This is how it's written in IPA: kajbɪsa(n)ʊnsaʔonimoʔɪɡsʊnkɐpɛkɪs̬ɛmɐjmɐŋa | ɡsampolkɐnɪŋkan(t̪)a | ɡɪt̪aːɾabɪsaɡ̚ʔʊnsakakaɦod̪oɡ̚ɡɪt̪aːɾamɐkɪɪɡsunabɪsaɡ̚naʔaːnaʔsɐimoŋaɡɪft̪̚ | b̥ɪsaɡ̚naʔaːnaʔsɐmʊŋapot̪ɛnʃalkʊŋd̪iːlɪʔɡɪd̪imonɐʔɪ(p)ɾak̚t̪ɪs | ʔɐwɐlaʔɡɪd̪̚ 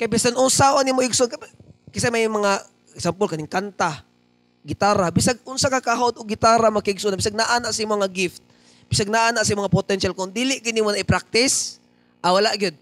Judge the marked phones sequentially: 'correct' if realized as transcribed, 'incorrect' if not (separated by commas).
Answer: correct, correct, correct